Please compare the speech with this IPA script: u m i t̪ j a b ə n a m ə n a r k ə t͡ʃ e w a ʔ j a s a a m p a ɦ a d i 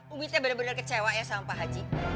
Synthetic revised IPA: u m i t̪ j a b ə n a b ə n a r k ə t͡ʃ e w a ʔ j a s a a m p a ɦ a d͡ʒ i